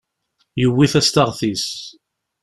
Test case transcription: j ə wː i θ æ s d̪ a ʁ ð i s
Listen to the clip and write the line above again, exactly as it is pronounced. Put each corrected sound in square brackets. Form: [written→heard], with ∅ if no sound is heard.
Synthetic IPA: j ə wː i θ æ s [d̪→t̪] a ʁ [ð→θ] i s